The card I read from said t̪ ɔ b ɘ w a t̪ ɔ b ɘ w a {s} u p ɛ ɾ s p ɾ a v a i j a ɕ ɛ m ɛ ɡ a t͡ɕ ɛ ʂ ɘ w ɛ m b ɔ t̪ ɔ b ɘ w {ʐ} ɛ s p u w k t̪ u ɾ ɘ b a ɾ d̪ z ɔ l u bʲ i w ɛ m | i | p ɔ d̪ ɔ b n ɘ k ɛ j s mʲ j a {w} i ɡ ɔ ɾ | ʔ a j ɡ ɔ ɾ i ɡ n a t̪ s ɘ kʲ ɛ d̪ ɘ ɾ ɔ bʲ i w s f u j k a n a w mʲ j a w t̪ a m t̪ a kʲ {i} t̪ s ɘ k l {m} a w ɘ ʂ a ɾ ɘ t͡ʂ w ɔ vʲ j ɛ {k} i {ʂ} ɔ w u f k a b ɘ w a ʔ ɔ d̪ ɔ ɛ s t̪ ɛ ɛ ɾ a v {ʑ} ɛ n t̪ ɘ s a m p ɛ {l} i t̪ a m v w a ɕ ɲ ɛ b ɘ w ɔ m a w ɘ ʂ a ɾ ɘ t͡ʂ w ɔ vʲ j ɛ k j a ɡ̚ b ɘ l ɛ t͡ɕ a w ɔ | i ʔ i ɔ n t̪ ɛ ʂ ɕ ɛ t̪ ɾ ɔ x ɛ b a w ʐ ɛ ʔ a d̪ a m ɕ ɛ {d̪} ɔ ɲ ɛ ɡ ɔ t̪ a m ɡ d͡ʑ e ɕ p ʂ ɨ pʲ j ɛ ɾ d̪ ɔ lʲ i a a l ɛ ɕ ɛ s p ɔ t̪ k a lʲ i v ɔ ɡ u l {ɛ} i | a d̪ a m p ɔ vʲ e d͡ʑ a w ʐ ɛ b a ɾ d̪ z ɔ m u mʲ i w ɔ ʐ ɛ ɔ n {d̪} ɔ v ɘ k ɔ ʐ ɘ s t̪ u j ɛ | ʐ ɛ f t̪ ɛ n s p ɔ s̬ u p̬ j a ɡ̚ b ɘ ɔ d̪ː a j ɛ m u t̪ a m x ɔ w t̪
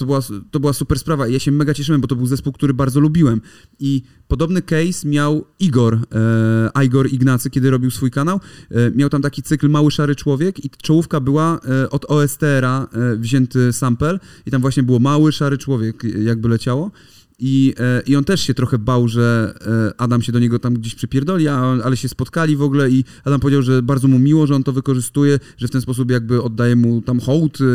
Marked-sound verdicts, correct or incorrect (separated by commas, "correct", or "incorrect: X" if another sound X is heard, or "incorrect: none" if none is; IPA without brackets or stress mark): correct, incorrect: z, correct, correct, correct, correct, incorrect: t͡ʂ, correct, correct, correct, correct, incorrect: t̪